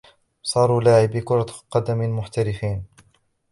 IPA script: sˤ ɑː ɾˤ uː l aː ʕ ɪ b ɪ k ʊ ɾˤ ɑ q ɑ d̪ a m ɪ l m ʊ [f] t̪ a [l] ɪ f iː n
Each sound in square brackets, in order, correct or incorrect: incorrect, incorrect

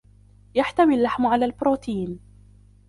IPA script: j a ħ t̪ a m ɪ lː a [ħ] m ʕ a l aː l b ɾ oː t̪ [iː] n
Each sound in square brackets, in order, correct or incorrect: correct, correct

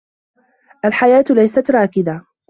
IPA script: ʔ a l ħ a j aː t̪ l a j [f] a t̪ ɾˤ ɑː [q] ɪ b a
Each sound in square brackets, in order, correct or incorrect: incorrect, incorrect

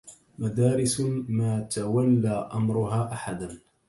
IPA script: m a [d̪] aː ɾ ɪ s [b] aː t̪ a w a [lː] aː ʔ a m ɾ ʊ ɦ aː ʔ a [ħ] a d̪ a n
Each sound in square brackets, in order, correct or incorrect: correct, incorrect, correct, correct

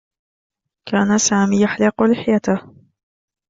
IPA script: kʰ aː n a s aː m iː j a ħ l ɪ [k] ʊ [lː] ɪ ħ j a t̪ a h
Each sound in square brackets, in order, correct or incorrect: incorrect, incorrect

